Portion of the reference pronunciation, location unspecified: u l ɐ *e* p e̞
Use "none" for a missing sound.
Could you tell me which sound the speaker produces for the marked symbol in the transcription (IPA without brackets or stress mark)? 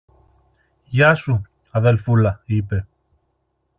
i